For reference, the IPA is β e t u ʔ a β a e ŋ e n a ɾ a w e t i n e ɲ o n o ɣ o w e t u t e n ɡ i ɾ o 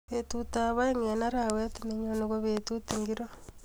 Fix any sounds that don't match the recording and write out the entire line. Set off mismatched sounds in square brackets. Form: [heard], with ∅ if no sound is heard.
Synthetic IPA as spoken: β e t u [t] a β a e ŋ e n a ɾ a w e t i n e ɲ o n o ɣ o [β] e t u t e [ŋ] ɡ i ɾ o